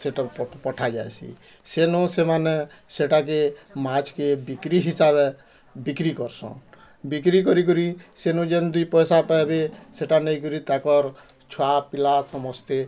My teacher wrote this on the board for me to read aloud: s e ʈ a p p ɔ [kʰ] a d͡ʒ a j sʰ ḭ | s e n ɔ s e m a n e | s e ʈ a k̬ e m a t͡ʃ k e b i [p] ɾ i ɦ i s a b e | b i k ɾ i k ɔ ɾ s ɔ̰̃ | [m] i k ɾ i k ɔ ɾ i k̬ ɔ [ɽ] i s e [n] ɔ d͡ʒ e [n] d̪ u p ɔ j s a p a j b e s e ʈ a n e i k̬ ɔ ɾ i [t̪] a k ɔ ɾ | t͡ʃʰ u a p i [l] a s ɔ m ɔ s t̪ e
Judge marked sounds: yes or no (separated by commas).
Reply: no, no, no, no, yes, yes, yes, yes